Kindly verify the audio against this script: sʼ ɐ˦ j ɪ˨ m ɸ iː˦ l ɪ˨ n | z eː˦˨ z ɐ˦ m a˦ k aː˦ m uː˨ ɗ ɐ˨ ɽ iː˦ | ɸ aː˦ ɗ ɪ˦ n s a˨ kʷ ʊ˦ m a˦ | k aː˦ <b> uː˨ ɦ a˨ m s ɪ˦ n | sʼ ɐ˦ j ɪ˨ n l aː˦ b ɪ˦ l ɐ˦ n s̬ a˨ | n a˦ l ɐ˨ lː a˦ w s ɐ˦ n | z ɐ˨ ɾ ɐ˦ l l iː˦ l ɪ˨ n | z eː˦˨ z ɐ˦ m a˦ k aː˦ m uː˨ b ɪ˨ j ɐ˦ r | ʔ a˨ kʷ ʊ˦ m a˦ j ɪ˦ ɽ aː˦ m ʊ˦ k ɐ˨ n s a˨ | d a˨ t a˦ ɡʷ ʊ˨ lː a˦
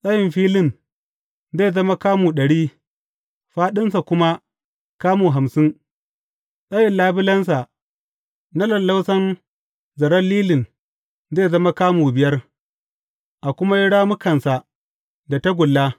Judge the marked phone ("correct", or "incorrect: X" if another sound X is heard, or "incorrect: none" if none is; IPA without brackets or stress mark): incorrect: m